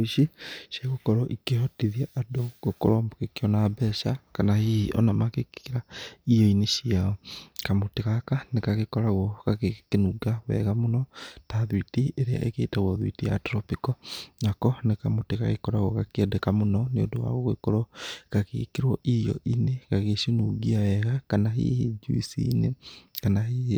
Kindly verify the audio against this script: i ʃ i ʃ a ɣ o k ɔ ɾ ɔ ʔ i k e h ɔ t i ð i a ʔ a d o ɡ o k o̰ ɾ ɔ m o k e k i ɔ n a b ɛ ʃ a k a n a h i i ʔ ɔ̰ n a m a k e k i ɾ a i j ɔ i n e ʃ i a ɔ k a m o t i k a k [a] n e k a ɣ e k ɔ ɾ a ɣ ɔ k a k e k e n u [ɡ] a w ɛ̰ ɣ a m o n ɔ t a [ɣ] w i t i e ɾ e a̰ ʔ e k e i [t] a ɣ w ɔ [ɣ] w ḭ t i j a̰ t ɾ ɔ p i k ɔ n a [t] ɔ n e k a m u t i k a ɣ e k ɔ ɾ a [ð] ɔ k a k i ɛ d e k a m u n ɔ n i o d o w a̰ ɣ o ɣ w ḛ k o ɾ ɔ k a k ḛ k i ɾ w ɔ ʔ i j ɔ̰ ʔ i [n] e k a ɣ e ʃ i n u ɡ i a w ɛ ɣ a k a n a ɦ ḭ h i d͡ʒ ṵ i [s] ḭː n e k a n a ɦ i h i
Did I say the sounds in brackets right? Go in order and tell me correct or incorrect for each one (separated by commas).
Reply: correct, correct, incorrect, correct, incorrect, incorrect, incorrect, correct, correct